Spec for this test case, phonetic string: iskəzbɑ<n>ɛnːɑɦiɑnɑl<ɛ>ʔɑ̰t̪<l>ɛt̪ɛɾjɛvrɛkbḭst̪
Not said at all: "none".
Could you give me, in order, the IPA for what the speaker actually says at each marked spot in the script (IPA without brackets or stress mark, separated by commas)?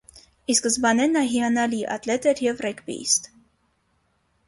n, i, l